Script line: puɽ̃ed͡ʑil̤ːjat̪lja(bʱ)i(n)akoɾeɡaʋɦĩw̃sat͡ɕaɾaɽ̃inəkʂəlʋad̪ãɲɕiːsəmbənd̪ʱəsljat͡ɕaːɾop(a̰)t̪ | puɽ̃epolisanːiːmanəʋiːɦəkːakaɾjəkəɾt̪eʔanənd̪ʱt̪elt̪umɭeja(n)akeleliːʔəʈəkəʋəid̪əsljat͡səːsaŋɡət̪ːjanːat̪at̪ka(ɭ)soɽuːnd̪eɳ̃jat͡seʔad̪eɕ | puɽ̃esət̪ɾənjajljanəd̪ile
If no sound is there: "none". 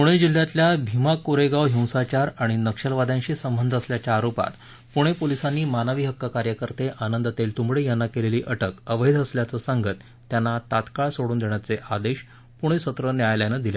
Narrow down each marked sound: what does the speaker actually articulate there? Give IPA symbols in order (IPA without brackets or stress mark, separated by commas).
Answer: bʱ, m, a̰, nː, ɭ